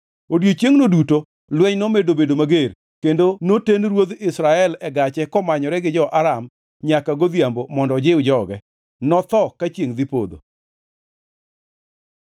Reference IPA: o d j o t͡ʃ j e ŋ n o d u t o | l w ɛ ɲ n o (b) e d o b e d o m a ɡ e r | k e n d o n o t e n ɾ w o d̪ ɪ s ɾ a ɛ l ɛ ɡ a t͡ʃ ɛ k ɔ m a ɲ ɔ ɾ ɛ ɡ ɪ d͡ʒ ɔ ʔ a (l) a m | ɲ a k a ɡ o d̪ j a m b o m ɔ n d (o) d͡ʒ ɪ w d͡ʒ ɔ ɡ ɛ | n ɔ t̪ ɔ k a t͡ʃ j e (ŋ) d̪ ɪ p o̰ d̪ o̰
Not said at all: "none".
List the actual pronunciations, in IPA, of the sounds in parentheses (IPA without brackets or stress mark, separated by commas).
m, ɾ, ɔ, ŋ